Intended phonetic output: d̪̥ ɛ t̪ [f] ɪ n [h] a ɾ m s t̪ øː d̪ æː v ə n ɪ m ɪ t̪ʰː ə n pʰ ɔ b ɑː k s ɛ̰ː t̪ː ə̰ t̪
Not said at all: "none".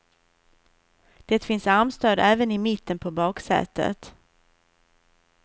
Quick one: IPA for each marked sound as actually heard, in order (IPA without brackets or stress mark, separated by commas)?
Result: f, s